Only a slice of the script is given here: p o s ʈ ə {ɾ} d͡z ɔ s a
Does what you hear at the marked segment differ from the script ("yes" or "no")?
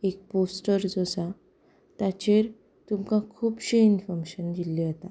no